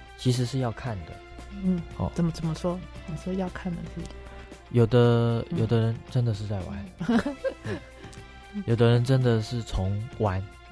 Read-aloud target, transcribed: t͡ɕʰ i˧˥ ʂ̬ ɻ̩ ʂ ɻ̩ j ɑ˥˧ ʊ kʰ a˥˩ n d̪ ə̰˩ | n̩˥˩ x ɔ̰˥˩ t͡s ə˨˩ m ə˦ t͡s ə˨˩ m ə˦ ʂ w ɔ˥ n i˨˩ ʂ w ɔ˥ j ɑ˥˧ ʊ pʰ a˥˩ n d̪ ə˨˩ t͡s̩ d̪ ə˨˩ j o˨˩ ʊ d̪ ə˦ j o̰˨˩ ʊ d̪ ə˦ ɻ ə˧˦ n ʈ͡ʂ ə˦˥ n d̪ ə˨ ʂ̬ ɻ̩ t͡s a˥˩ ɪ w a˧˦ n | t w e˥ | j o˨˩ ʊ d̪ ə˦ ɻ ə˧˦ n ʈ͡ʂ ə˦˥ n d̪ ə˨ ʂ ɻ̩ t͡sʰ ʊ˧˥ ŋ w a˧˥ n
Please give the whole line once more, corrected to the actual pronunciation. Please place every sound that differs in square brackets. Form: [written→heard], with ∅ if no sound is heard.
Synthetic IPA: t͡ɕʰ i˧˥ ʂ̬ ɻ̩ ʂ ɻ̩ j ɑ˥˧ ʊ kʰ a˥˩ n d̪ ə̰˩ | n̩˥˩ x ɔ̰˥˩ t͡s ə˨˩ m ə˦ t͡s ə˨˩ m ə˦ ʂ w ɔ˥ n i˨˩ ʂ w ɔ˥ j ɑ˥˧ ʊ [pʰ→kʰ] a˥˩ n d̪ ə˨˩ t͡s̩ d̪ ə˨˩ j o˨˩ ʊ d̪ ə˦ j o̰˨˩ ʊ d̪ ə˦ ɻ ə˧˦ n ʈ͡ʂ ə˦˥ n d̪ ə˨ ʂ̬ ɻ̩ t͡s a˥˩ ɪ w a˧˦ n | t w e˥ | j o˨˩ ʊ d̪ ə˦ ɻ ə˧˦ n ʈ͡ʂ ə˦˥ n d̪ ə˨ ʂ ɻ̩ t͡sʰ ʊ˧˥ ŋ w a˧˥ n